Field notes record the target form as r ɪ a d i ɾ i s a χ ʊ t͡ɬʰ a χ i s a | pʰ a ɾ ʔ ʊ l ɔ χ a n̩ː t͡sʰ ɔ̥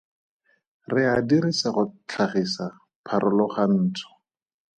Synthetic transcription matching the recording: r ɪ a d i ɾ i s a χ ʊ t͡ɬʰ a χ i s a | pʰ a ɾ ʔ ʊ l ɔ χ a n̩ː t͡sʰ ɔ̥